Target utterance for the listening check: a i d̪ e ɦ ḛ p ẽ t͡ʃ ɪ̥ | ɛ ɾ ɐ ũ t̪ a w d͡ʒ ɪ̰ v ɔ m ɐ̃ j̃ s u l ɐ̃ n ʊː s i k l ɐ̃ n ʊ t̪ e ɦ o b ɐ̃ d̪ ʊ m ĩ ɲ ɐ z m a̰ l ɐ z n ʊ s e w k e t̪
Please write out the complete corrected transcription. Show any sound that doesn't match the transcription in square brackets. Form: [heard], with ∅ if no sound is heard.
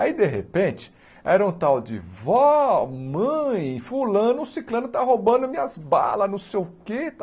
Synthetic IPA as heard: a i d̪ e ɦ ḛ p ẽ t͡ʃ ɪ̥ | ɛ ɾ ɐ ũ t̪ a w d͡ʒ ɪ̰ v ɔ m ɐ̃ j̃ [f] u l ɐ̃ n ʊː s i k l ɐ̃ n ʊ t̪ [a] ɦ o b ɐ̃ d̪ ʊ m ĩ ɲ ɐ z [b] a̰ l ɐ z n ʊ s e w k e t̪